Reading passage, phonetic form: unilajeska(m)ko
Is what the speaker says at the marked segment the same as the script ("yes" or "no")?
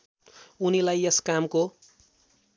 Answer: yes